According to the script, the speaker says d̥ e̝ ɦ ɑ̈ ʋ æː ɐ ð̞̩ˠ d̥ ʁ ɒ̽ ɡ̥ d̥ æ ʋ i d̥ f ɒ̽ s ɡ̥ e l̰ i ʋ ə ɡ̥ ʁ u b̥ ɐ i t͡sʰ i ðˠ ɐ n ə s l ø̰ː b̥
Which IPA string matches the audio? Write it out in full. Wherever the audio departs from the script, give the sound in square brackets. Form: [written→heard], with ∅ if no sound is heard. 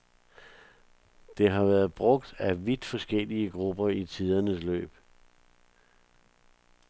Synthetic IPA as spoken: d̥ e̝ ɦ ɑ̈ ʋ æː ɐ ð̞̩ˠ [d̥→b̥] ʁ [ɒ̽→ɔ̽] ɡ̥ d̥ æ ʋ i d̥ f ɒ̽ s ɡ̥ e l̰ i [ʋ→∅] ə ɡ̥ ʁ u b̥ ɐ i t͡sʰ i ðˠ ɐ n ə s l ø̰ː b̥